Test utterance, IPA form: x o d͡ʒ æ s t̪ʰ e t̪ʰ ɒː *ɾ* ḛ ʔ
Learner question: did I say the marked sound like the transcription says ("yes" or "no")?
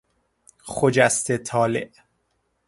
no